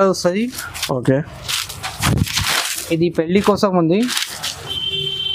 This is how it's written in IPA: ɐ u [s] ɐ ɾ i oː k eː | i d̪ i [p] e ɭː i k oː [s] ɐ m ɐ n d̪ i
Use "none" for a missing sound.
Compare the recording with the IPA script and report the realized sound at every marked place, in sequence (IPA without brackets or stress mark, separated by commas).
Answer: s, p, s